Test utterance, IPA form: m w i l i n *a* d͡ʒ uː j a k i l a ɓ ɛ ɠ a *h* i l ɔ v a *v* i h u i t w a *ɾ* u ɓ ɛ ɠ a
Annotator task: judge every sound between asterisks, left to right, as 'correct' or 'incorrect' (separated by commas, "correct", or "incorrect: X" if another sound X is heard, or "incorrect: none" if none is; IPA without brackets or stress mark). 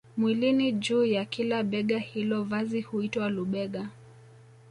incorrect: i, correct, incorrect: z, incorrect: l